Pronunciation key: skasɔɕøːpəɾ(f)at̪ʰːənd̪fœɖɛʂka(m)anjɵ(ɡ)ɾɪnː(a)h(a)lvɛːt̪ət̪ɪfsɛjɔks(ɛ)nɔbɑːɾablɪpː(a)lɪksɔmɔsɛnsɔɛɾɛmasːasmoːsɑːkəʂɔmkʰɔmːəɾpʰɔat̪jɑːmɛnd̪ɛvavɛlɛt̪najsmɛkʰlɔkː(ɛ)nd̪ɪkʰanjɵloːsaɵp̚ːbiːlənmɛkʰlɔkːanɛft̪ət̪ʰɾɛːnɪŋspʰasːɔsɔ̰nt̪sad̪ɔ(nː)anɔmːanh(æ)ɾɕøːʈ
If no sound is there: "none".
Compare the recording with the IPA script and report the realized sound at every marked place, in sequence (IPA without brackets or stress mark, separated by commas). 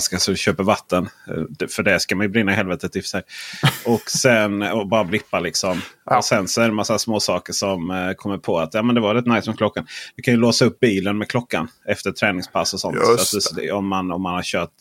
v, m, b, a, ɛ, ɛ, a, a, mː, a